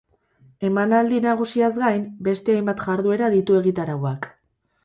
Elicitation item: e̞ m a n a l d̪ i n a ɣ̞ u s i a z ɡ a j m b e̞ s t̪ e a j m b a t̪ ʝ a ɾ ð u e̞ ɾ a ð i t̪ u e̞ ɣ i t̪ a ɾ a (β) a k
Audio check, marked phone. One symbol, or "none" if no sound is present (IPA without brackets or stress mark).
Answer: w